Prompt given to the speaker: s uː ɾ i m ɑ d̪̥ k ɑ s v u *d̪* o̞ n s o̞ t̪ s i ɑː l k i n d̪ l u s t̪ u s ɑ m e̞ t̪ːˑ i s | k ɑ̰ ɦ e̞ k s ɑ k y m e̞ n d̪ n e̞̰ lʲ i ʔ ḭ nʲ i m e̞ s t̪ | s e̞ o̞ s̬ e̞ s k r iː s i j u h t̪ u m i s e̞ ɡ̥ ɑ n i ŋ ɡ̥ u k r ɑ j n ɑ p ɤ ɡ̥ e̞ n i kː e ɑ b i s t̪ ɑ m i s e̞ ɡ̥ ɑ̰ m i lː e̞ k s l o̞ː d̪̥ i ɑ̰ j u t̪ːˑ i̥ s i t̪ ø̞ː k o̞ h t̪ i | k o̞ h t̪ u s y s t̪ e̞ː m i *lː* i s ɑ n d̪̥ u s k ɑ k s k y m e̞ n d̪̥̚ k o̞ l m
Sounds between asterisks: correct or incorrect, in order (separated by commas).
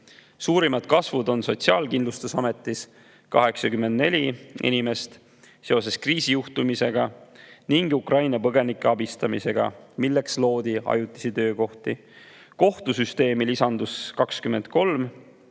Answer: correct, incorrect